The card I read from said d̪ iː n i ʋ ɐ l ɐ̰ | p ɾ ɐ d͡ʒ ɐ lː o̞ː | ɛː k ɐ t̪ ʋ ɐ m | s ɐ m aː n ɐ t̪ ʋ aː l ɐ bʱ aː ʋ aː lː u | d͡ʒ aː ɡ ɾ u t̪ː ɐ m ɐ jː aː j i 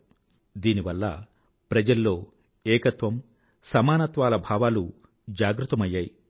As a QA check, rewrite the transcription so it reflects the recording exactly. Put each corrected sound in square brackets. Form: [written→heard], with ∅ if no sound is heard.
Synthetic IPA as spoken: d̪ iː n i ʋ ɐ [l→lː] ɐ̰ | p ɾ ɐ d͡ʒ ɐ lː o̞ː | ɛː k ɐ t̪ ʋ ɐ m | s ɐ m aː n ɐ t̪ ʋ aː l ɐ bʱ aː ʋ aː [lː→l] u | d͡ʒ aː ɡ ɾ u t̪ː ɐ m ɐ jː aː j i

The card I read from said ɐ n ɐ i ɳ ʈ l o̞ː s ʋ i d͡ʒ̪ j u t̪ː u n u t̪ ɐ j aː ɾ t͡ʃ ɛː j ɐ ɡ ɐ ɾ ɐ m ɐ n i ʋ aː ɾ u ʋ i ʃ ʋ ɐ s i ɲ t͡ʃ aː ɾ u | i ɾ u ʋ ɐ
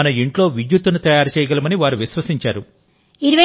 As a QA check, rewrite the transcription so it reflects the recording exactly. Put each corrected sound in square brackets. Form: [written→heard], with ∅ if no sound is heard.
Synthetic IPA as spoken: ɐ n ɐ i ɳ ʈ l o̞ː [s→∅] ʋ i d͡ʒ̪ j u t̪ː u n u t̪ ɐ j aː ɾ t͡ʃ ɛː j ɐ ɡ ɐ [ɾ→l] ɐ m ɐ n i ʋ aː ɾ u ʋ i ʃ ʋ ɐ s i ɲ t͡ʃ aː ɾ u | i ɾ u ʋ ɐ

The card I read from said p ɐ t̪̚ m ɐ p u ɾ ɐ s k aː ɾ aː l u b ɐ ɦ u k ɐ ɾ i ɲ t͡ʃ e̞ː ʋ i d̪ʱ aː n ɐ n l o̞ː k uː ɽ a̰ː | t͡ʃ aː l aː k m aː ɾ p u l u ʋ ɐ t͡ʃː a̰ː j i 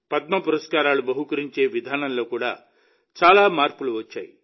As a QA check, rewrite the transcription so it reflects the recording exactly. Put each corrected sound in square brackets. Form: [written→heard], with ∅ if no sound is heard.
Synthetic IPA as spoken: p ɐ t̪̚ m ɐ p u ɾ ɐ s k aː ɾ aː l u b ɐ ɦ u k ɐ ɾ i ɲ t͡ʃ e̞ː ʋ i d̪ʱ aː n ɐ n l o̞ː k uː ɽ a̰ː | t͡ʃ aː l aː [k→∅] m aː ɾ p u l u ʋ ɐ t͡ʃː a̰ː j i

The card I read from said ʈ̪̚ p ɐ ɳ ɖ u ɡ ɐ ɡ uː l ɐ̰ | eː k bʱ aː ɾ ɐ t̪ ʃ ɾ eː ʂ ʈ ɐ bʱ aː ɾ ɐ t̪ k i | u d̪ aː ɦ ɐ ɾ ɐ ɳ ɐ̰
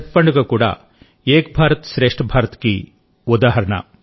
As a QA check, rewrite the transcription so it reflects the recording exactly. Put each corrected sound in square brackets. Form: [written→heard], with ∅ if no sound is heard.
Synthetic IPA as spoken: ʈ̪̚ p ɐ ɳ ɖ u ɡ ɐ [ɡ→k] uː [l→ɽ] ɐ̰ | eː k bʱ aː ɾ ɐ t̪ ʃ ɾ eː ʂ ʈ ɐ bʱ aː ɾ ɐ t̪ k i | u d̪ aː ɦ ɐ ɾ ɐ ɳ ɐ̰

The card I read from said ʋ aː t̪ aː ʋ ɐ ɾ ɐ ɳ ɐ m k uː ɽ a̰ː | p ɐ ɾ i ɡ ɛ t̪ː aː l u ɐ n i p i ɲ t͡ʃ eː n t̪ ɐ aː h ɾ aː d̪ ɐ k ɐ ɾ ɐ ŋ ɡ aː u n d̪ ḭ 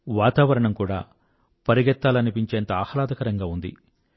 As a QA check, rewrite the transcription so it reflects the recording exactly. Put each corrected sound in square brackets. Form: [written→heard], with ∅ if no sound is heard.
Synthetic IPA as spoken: ʋ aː t̪ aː ʋ ɐ ɾ ɐ ɳ ɐ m k uː ɽ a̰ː | p ɐ ɾ i ɡ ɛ t̪ː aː l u ɐ n i p i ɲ t͡ʃ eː n t̪ ɐ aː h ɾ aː d̪ ɐ k ɐ ɾ ɐ ŋ ɡ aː u n d̪ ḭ

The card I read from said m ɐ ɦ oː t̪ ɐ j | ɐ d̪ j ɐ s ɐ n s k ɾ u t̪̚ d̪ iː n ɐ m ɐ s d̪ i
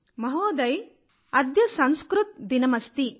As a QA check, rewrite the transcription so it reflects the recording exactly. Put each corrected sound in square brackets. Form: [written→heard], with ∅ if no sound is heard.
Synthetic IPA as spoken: m ɐ ɦ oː [t̪→d̪] ɐ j | ɐ d̪ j ɐ s ɐ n s k ɾ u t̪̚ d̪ [iː→i] n ɐ m ɐ s [d̪→t̪] i

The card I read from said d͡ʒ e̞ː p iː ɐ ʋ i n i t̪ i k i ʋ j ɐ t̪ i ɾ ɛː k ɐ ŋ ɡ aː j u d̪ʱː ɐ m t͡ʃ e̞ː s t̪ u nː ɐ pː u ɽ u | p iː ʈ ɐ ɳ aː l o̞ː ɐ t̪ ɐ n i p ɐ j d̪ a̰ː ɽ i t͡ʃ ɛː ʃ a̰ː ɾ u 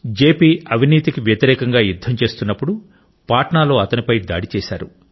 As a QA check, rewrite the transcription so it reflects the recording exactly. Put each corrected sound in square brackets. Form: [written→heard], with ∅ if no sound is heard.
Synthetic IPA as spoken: d͡ʒ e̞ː p iː ɐ ʋ i n [i→iː] t̪ i k i ʋ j ɐ t̪ i ɾ ɛː k ɐ ŋ ɡ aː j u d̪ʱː ɐ m t͡ʃ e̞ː s t̪ u nː ɐ pː u ɽ u | p [iː→aː] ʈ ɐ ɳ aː l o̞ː ɐ t̪ ɐ n i p ɐ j d̪ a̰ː ɽ i t͡ʃ ɛː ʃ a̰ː ɾ u

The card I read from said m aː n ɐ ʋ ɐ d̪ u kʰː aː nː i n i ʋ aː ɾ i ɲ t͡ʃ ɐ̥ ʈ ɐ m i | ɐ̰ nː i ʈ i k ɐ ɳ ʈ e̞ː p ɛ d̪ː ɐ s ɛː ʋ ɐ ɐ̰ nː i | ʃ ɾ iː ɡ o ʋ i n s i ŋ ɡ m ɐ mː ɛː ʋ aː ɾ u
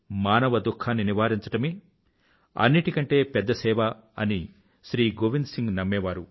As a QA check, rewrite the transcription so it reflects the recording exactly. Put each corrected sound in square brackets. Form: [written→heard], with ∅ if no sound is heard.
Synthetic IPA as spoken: m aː n ɐ ʋ ɐ d̪ u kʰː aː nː i n i ʋ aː ɾ i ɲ t͡ʃ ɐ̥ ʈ ɐ m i | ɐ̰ nː i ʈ i k ɐ ɳ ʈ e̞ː p ɛ d̪ː ɐ s ɛː ʋ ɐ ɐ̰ [nː→n] i | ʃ ɾ iː ɡ o ʋ i n s i ŋ ɡ [m→n] ɐ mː ɛː ʋ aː ɾ u

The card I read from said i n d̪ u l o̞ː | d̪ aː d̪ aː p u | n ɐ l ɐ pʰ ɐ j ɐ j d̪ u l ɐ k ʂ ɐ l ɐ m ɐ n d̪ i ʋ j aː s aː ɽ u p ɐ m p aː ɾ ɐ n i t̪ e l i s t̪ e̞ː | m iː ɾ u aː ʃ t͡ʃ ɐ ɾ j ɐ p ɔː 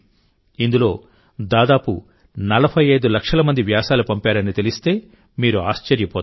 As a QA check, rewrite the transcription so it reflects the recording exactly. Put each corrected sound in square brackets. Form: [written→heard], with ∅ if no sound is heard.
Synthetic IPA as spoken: i n d̪ u l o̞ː | d̪ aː d̪ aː p u | n ɐ l ɐ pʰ ɐ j ɐ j d̪ u l ɐ k ʂ ɐ l ɐ m ɐ n d̪ i ʋ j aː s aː [ɽ→l] u p ɐ m p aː ɾ ɐ n i t̪ e l i s t̪ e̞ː | m iː ɾ u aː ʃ t͡ʃ ɐ ɾ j ɐ p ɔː

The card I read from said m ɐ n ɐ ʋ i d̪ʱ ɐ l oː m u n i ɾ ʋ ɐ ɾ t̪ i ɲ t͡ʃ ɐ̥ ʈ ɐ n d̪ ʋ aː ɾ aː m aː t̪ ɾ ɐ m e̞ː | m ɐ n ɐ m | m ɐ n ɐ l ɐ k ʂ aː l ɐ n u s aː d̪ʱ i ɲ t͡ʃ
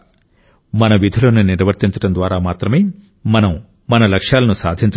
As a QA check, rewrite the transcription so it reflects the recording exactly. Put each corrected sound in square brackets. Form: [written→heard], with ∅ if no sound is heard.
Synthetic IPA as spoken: m ɐ n ɐ ʋ i d̪ʱ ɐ l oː [m→n] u n i ɾ ʋ ɐ ɾ t̪ i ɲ t͡ʃ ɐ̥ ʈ ɐ n d̪ ʋ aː ɾ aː m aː t̪ ɾ ɐ m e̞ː | m ɐ n ɐ m | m ɐ n ɐ l ɐ k ʂ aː l ɐ n u s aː d̪ʱ i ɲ t͡ʃ

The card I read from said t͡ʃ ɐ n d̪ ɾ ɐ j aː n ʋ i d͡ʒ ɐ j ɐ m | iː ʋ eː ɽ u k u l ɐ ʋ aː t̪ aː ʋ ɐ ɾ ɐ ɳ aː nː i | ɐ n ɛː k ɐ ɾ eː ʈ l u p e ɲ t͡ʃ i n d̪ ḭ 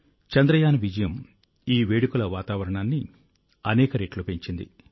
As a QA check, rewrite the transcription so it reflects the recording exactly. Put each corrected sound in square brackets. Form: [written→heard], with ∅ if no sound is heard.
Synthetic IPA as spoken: t͡ʃ ɐ n d̪ ɾ ɐ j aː n ʋ i d͡ʒ ɐ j ɐ m | iː ʋ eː ɽ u k u l ɐ ʋ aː t̪ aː ʋ ɐ ɾ ɐ ɳ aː nː i | ɐ n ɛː k ɐ ɾ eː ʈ l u p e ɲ t͡ʃ i n d̪ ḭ

